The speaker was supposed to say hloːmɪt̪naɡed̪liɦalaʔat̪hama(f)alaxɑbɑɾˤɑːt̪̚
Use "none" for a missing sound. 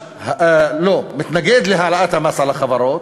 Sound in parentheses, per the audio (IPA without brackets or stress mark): s